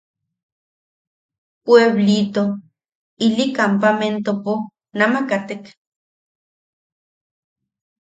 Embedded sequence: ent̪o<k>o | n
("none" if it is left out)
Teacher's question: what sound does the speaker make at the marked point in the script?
p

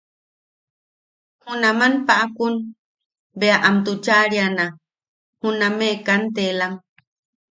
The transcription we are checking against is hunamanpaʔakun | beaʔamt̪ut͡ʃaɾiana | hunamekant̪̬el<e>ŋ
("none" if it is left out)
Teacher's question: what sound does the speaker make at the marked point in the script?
a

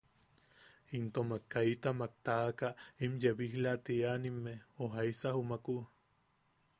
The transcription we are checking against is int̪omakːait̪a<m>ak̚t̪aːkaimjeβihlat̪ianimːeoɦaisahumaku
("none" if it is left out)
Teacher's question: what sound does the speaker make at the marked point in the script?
m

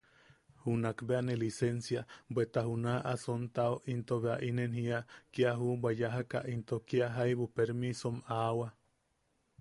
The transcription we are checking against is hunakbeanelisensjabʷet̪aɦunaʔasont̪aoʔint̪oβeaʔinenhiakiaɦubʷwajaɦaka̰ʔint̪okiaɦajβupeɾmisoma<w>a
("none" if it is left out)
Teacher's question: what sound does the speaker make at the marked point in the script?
w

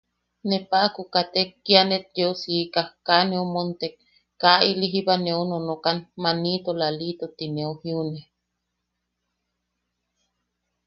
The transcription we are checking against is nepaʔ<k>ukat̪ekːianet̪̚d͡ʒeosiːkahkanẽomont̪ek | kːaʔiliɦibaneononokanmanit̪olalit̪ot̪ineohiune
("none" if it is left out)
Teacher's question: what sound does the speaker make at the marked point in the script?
k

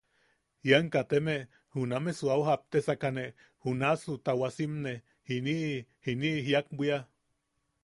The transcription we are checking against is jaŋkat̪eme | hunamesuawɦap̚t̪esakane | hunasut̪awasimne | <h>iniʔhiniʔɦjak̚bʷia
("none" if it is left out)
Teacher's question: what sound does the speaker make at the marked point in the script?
h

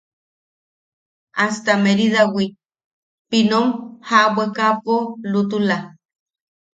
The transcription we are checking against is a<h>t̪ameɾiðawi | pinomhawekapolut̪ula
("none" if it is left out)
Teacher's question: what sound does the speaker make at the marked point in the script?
s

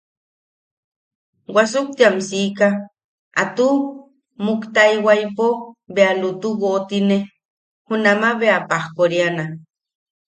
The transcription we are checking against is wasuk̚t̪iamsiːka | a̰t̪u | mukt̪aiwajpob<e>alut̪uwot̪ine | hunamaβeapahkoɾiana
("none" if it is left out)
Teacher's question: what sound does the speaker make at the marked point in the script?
e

